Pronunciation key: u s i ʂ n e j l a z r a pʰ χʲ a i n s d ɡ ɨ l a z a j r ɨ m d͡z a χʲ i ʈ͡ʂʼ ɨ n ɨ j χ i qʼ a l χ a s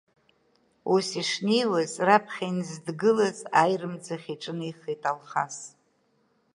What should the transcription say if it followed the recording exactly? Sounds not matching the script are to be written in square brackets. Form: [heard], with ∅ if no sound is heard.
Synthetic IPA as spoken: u s i ʂ n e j l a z r a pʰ χʲ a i n [z] d ɡ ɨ l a z a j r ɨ m d͡z a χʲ i ʈ͡ʂʼ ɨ n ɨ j χ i [tʼ] a l χ a s